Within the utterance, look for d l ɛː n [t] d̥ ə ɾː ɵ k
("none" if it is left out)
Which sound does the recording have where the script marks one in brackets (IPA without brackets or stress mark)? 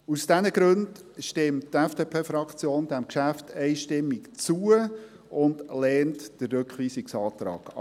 t